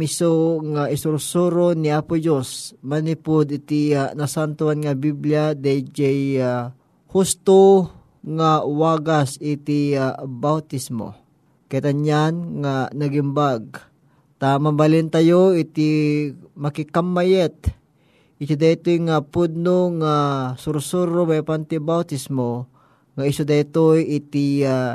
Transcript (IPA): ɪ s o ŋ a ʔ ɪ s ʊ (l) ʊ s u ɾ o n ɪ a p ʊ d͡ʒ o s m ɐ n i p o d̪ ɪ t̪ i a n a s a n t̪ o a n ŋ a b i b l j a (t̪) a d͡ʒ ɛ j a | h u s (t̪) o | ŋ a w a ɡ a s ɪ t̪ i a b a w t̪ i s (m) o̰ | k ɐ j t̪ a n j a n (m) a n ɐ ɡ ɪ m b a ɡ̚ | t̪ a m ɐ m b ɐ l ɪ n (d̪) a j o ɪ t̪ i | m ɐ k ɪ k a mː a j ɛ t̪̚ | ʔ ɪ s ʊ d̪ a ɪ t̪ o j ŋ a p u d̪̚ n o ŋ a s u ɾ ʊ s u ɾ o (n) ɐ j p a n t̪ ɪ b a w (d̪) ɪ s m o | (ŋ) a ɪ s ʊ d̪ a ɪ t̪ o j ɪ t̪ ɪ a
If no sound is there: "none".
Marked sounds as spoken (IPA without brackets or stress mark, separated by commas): ɾ, d̪, t̪, m, ŋ, t̪, m, t̪, ŋ